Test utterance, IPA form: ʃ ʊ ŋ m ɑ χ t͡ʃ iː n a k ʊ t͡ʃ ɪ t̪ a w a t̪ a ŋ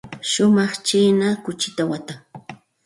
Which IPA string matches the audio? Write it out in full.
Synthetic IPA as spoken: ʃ ʊ m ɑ χ t͡ʃ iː n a k ʊ t͡ʃ ɪ t̪ a w a t̪ a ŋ